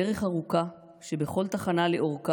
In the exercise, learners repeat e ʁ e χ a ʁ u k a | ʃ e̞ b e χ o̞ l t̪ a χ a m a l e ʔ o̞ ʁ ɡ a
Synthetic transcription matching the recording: e ʁ e χ a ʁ u k a | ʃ e̞ b e χ o̞ l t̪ a χ a n a l e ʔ o̞ ʁ k a